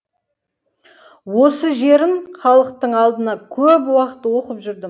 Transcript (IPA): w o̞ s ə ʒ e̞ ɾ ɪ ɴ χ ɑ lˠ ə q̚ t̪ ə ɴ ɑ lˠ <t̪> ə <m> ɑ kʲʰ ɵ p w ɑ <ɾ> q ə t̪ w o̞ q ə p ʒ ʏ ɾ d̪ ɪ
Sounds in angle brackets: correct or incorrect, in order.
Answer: incorrect, incorrect, incorrect

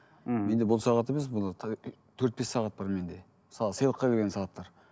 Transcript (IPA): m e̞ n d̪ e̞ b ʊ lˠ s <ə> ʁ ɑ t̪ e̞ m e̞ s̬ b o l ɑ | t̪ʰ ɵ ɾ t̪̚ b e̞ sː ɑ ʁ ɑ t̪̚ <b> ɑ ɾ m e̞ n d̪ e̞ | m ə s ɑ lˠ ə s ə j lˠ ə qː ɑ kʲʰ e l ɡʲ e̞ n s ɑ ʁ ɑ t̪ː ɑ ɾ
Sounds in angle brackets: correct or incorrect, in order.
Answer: incorrect, correct

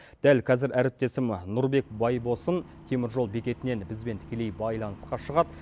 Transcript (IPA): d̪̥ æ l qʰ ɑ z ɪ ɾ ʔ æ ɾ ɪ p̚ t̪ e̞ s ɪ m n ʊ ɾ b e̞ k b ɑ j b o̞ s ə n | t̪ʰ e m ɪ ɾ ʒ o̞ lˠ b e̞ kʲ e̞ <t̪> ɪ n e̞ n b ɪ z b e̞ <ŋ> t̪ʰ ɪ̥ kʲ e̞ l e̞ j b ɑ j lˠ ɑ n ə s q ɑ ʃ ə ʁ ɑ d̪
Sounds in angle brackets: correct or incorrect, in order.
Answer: correct, incorrect

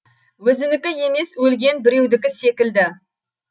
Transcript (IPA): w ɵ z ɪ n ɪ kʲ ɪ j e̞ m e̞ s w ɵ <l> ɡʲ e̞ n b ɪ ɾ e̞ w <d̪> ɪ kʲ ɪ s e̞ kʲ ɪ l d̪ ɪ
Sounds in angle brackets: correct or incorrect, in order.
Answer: correct, correct

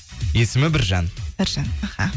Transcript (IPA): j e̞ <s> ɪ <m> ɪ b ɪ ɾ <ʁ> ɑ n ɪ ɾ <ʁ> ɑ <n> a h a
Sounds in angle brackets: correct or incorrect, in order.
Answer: correct, correct, incorrect, incorrect, correct

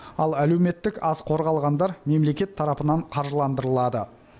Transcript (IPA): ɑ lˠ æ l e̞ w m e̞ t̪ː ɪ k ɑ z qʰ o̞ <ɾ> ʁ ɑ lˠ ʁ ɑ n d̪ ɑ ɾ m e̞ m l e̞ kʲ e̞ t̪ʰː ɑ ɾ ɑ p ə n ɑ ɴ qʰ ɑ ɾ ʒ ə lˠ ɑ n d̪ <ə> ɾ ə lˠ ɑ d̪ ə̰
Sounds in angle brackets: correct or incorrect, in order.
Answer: correct, correct

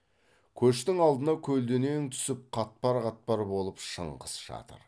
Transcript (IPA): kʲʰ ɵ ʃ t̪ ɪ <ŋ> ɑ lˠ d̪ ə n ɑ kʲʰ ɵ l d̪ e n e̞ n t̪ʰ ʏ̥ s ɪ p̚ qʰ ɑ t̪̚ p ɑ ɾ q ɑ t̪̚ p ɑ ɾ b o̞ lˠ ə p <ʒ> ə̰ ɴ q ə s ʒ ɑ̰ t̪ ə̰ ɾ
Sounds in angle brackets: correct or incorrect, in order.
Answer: correct, incorrect

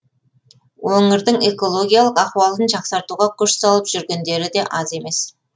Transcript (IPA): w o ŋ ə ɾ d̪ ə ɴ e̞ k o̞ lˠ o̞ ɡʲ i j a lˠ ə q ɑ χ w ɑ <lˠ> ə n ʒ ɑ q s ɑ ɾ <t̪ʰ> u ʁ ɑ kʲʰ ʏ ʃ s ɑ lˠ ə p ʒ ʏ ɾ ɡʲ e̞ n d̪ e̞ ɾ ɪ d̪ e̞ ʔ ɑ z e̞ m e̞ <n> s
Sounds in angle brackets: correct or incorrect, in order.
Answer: correct, incorrect, incorrect

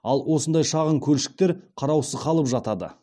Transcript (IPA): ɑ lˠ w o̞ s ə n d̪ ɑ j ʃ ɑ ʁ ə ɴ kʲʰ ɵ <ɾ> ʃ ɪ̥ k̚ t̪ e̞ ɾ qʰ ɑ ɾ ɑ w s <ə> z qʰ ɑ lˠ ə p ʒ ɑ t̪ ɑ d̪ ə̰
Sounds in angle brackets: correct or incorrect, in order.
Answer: incorrect, correct

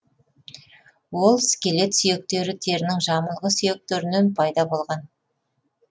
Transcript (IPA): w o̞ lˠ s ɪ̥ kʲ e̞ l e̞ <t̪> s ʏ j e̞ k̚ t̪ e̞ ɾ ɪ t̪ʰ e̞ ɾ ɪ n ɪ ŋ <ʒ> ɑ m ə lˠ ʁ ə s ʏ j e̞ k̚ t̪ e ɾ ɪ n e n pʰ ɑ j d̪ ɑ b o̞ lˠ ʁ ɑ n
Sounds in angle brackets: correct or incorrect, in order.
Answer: correct, correct

